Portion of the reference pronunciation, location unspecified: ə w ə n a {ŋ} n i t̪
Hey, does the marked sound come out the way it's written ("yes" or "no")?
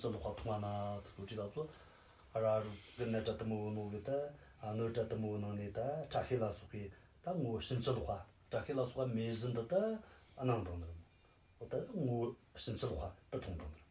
yes